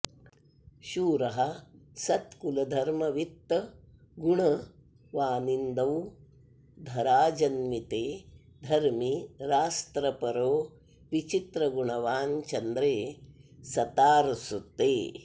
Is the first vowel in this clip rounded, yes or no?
yes